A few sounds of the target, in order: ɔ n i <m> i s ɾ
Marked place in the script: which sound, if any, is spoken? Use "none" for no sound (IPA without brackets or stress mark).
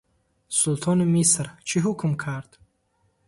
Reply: m